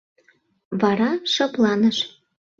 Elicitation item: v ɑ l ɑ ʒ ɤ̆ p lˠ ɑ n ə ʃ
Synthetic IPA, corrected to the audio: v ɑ ɾ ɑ ʃ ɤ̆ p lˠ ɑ n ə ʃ